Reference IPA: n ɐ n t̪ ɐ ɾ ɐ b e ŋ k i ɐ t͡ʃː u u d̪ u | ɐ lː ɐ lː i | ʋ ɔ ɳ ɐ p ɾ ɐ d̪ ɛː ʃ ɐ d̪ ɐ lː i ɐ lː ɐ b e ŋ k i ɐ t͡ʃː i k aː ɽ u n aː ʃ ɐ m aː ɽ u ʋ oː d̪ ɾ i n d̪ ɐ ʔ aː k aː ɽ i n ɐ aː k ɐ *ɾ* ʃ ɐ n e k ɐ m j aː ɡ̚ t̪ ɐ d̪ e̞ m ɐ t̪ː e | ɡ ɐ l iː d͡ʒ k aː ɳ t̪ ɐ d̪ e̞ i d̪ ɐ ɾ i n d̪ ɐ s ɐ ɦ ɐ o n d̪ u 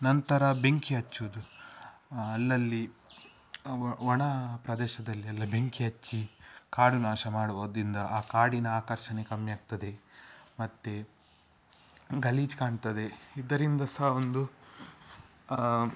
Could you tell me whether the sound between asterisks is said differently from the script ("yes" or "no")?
no